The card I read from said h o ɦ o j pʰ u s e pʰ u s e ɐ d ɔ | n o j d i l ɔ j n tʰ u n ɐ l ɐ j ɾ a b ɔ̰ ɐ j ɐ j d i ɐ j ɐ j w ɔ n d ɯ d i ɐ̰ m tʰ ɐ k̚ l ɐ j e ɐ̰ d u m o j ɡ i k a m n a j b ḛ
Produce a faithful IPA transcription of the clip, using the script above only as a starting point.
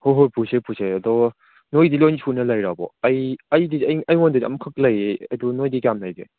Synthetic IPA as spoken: h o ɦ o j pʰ u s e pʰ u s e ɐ d ɔ | n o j d i l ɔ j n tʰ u n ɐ l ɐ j ɾ a b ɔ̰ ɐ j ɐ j d i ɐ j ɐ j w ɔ n d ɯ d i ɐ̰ m kʰ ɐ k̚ l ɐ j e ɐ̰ d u n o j d i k a m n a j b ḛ